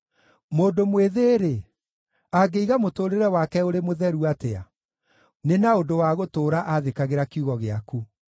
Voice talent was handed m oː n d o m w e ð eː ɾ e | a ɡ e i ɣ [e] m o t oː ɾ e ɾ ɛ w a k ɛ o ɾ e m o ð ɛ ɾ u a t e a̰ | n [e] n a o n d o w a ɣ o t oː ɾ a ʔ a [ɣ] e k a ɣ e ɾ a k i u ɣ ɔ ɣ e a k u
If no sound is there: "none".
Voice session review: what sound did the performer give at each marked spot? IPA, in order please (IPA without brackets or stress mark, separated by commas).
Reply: a, e, ð